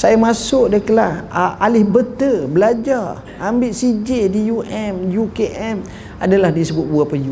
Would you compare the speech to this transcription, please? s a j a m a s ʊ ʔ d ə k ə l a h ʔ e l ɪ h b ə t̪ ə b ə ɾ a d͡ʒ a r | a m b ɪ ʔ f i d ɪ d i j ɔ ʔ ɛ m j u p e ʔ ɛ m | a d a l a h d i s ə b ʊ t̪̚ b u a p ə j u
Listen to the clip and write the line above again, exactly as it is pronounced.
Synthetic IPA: s a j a m a s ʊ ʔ d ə k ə l a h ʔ a l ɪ h b ə t̪ ə b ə l a d͡ʒ a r | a m b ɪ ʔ s i d͡ʒ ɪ d i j u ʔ ɛ m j u k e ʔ ɛ m | a d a l a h d i s ə b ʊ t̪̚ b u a p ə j u